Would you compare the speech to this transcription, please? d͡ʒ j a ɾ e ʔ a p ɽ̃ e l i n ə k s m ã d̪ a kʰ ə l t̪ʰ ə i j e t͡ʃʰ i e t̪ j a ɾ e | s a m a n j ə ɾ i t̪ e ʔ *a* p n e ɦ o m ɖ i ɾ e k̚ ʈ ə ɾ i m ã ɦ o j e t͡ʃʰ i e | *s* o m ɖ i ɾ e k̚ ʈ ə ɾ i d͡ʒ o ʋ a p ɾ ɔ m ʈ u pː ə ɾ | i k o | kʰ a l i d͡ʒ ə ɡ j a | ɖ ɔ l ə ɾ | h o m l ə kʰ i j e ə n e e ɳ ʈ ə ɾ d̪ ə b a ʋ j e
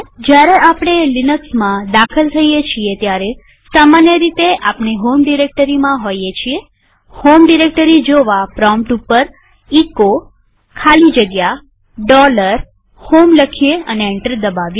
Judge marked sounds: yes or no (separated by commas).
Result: yes, no